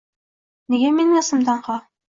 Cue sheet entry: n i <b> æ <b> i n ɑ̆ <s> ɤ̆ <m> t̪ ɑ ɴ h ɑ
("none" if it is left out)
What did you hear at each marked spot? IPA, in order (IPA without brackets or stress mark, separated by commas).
ɡ, m, s, m